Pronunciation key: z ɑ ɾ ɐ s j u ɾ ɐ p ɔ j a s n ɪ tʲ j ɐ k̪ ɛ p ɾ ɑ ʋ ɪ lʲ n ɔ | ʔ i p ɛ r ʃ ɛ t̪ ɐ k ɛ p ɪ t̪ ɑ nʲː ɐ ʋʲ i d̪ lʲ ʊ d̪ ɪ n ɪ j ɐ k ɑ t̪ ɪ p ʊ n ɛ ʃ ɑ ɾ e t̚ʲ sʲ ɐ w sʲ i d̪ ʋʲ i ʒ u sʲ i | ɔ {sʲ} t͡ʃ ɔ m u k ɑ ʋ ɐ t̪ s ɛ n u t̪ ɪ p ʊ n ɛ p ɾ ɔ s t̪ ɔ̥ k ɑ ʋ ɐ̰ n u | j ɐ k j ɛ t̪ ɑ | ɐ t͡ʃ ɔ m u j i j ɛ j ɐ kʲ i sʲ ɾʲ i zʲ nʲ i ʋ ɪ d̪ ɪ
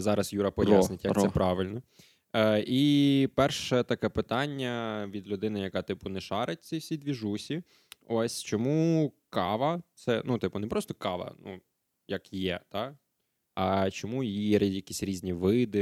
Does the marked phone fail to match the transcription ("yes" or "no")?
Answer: no